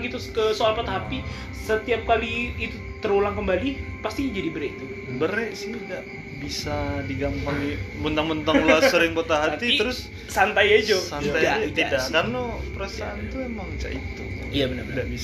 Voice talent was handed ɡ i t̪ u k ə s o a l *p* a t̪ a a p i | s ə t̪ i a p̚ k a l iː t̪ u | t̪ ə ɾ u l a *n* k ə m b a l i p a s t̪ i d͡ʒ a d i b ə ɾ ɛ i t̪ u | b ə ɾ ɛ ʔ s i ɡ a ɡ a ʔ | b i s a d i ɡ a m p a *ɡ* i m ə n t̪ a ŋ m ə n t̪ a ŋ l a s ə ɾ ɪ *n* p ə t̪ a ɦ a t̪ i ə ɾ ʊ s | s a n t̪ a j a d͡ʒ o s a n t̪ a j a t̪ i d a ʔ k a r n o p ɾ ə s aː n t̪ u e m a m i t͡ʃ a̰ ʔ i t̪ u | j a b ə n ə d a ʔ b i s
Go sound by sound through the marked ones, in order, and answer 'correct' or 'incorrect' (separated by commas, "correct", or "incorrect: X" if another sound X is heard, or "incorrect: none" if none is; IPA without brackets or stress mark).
correct, incorrect: ŋ, incorrect: ŋ, incorrect: ŋ